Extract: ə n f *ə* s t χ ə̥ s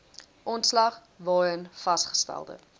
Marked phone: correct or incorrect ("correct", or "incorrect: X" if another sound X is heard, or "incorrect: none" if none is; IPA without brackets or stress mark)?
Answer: incorrect: ɐ